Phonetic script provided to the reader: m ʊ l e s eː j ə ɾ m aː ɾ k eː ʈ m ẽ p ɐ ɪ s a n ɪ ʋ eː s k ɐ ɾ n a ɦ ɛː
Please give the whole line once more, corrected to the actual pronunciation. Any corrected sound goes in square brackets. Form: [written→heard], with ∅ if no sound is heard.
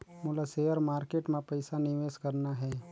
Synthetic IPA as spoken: m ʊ l [e→a] s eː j ə ɾ m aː ɾ k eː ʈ m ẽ p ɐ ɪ s a n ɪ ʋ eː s k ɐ ɾ n a ɦ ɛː

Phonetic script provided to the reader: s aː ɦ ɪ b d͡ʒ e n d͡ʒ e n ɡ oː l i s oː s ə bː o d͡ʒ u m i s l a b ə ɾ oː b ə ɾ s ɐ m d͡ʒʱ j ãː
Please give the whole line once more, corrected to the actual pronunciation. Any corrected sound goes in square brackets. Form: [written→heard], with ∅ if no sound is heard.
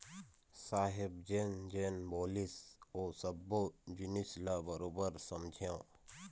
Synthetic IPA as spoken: s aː ɦ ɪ b d͡ʒ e n d͡ʒ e n [ɡ→b] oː l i s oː s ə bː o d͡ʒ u [m→n] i s l a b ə ɾ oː b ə ɾ s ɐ m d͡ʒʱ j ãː

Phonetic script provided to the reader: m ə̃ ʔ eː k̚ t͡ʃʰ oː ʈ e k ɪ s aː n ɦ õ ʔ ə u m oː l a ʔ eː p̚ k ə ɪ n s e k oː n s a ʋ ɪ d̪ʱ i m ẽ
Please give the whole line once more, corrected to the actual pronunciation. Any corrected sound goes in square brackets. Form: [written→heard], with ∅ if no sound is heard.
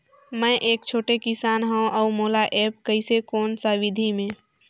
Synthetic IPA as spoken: m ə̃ ʔ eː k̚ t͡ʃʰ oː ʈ e k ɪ s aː n ɦ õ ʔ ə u m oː l a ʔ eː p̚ k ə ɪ [n→∅] s e k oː n s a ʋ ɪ d̪ʱ i m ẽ

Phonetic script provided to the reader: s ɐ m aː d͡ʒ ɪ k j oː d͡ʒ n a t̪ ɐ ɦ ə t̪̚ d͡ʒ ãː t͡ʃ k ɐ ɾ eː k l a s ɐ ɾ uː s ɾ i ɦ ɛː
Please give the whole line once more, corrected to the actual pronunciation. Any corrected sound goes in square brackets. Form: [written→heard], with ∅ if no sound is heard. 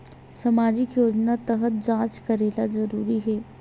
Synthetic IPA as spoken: s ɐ m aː d͡ʒ ɪ k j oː d͡ʒ n a t̪ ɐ ɦ ə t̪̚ d͡ʒ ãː t͡ʃ k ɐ ɾ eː [k→∅] l a [s→z] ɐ ɾ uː [s→∅] ɾ i ɦ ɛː

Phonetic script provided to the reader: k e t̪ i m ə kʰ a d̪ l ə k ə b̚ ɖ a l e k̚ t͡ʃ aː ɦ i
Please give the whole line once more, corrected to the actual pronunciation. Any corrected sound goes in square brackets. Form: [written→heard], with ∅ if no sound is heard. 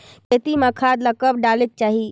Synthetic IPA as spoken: k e t̪ i m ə kʰ a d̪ l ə k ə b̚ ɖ a l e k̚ t͡ʃ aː ɦ i

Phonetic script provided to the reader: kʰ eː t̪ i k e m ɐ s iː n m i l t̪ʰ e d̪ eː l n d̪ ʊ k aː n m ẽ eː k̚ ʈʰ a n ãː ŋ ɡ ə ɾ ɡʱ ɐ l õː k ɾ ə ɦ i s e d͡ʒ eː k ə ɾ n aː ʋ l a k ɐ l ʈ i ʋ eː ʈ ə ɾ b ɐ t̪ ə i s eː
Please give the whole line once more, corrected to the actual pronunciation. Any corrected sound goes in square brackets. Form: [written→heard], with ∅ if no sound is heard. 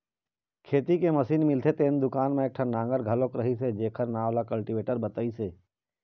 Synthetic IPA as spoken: kʰ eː t̪ i k e m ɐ s iː n m [i→ɪ] l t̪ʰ e [d̪→t̪] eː [l→∅] n d̪ ʊ k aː n m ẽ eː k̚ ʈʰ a n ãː ŋ ɡ ə ɾ ɡʱ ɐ l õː k ɾ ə ɦ i s e d͡ʒ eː [k→kʰ] ə ɾ n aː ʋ l a k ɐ l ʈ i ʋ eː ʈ ə ɾ b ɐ t̪ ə i s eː

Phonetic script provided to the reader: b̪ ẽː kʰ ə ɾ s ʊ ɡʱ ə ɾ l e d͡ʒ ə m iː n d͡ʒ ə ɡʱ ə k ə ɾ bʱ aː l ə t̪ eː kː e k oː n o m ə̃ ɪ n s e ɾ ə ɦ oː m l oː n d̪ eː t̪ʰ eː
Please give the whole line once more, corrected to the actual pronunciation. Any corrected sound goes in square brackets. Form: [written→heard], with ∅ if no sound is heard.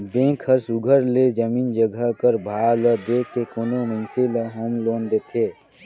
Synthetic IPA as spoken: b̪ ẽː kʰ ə ɾ s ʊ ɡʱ ə ɾ l e d͡ʒ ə m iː n d͡ʒ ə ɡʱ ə k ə ɾ bʱ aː l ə [t̪→d̪] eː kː e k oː n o m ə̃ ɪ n s e [ɾ→l] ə ɦ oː m l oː n d̪ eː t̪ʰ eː

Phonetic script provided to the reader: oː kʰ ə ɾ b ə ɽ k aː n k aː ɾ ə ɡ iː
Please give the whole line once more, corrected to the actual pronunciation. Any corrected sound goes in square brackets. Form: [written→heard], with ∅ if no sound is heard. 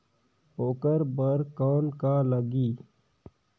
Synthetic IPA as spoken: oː [kʰ→k] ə ɾ b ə [ɽ→ɾ] k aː n k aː [ɾ→l] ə ɡ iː

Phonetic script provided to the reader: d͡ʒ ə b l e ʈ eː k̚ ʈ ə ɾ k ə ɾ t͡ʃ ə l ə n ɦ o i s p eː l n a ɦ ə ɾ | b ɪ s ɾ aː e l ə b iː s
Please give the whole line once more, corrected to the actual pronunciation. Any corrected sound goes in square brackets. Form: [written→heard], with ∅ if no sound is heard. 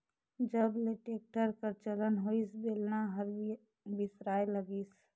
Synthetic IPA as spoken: d͡ʒ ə b l e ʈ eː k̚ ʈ ə ɾ k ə ɾ t͡ʃ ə l ə n ɦ o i s [p→b] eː l n a ɦ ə ɾ | b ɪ s ɾ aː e l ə [b→ɡ] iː s

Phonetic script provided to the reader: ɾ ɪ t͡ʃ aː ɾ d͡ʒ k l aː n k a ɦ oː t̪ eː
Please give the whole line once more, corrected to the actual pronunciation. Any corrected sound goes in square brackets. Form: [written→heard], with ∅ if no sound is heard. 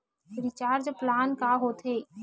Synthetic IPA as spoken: ɾ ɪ t͡ʃ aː ɾ d͡ʒ [k→p] l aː n k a ɦ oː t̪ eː

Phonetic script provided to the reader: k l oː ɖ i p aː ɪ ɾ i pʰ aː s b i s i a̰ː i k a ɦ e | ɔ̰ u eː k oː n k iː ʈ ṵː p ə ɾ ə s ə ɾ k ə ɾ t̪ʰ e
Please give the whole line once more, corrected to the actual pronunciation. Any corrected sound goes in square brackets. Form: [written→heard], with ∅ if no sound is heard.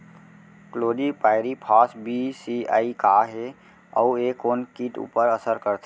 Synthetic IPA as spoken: k l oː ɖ i p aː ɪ ɾ i pʰ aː s b i s i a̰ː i k a ɦ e | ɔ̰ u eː k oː n k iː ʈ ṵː p ə ɾ ə s ə ɾ k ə ɾ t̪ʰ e

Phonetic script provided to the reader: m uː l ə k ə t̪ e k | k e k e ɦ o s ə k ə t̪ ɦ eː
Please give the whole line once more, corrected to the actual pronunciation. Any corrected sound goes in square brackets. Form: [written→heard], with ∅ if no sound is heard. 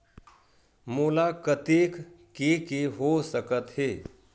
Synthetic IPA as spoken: m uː l [ə→a] k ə t̪ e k | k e k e ɦ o s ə k ə t̪ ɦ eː

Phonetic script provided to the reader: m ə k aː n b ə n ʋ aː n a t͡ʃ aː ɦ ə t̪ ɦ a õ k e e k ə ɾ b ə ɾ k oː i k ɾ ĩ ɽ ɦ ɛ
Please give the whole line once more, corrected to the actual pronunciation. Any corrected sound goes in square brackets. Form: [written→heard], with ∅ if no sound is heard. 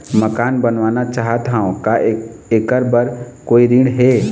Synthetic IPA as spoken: m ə k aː n b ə n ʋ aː n a t͡ʃ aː ɦ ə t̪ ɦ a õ k [e→a] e k ə ɾ b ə ɾ k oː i [k→∅] ɾ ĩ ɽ ɦ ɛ

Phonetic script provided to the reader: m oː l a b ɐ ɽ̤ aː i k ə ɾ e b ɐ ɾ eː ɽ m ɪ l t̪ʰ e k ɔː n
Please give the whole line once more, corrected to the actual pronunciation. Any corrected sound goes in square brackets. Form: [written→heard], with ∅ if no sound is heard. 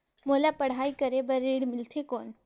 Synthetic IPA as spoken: m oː l a [b→p] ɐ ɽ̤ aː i k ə ɾ e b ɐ ɾ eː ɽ m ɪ l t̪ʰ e k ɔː n

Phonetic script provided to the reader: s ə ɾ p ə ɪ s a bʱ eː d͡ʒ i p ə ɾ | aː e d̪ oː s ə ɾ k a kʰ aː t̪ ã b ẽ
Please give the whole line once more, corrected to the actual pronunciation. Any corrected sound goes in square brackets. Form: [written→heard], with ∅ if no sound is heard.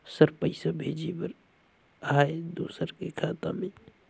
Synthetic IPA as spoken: s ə ɾ p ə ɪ s a bʱ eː d͡ʒ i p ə ɾ | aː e d̪ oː s ə ɾ k [a→e] kʰ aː t̪ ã [b→m] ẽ

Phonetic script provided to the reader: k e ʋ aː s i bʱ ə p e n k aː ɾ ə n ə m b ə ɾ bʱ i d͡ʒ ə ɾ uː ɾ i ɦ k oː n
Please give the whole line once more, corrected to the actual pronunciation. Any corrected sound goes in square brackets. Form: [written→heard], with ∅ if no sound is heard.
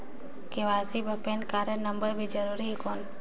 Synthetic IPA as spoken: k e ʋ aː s i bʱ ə p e n k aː ɾ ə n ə m b ə ɾ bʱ i d͡ʒ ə ɾ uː ɾ i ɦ k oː n

